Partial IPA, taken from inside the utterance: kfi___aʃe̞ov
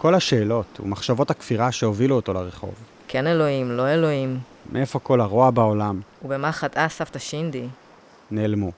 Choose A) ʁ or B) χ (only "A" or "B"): A